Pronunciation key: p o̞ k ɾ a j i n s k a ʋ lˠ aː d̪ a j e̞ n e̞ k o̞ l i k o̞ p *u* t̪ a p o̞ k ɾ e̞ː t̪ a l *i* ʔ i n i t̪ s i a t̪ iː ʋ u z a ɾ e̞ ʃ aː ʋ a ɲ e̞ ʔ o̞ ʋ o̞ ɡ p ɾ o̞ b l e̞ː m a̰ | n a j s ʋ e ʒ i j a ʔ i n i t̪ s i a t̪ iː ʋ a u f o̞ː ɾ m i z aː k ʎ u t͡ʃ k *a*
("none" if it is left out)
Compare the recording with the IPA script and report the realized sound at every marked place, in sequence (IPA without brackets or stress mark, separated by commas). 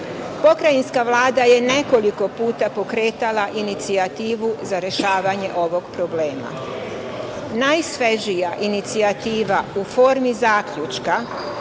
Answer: uː, a, a